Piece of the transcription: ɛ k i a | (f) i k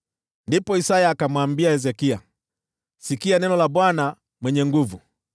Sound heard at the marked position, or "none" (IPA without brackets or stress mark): s